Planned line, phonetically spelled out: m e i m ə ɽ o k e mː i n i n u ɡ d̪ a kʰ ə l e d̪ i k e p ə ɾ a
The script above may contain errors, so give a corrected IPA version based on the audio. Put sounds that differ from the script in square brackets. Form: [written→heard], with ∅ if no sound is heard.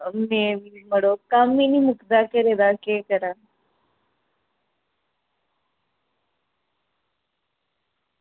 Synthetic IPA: m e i m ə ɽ o k [e→a] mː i n i [n→m] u [ɡ→k] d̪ a [kʰ→k] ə [l→ɾ] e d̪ [i→a] k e [p→k] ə ɾ a